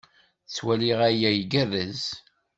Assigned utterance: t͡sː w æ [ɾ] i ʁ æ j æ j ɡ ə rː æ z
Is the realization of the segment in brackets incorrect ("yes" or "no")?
yes